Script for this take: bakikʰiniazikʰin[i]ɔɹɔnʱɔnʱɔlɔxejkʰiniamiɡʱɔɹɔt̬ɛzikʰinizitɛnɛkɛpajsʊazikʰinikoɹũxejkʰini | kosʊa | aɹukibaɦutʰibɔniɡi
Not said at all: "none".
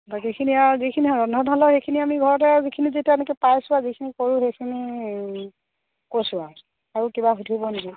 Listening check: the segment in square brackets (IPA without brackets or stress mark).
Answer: i